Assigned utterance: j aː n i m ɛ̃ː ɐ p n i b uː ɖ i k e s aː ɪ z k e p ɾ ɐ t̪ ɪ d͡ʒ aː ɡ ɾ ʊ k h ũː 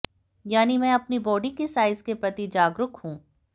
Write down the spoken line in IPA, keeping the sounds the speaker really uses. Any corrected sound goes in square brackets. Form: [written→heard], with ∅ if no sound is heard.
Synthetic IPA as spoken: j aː n i m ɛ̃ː ɐ p n i b [uː→ɔː] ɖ i k e s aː ɪ z k e p ɾ ɐ t̪ [ɪ→i] d͡ʒ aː ɡ ɾ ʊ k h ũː